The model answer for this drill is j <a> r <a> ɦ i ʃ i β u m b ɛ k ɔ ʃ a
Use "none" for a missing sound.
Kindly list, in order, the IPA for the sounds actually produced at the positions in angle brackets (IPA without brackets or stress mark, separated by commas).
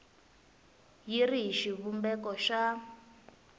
i, i